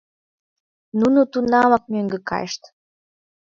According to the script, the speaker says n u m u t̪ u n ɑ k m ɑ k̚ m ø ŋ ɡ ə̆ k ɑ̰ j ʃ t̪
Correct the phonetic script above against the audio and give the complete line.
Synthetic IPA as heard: n u n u t̪ u n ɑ m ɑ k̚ m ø ŋ ɡ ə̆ k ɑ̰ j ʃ t̪